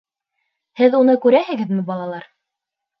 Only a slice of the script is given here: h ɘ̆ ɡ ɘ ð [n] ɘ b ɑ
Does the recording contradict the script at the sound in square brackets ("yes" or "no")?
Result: yes